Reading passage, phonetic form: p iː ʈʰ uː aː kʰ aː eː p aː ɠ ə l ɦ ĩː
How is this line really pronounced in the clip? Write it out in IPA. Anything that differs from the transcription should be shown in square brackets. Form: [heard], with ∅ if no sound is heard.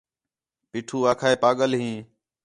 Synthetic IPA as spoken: p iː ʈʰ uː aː kʰ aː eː p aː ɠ ə l ɦ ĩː